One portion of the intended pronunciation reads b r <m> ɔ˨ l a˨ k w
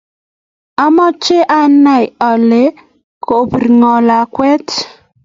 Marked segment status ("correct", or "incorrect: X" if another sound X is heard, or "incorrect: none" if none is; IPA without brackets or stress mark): incorrect: ŋ